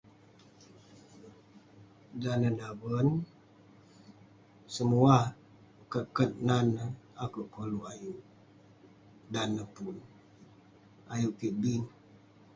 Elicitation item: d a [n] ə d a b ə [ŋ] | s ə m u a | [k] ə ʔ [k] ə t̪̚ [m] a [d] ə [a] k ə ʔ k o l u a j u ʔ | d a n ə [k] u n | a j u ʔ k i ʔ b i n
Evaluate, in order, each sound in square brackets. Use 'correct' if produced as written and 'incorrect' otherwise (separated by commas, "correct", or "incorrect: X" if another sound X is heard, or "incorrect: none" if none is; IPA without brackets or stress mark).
correct, incorrect: n, correct, correct, incorrect: n, incorrect: n, correct, incorrect: p